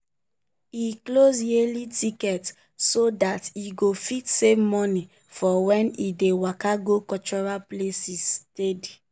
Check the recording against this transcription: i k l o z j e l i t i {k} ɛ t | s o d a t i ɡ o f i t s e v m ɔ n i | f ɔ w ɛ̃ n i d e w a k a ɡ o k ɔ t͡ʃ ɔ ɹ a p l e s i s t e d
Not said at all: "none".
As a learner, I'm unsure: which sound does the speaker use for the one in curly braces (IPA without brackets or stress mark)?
k